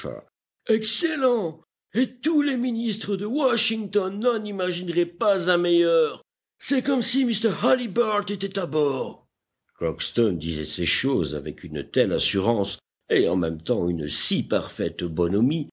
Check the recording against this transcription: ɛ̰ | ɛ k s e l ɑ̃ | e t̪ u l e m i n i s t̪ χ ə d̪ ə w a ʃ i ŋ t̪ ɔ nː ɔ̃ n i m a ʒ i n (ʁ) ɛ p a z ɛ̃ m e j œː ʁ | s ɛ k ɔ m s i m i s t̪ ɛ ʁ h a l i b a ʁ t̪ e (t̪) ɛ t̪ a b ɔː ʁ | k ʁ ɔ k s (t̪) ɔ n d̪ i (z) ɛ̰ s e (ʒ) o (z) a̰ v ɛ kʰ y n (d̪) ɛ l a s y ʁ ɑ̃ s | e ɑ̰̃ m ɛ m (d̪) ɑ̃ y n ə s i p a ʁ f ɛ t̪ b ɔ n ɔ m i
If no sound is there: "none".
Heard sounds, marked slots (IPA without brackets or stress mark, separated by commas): ʁ, t̪, t̪, z, ʃ, z, t̪, t̪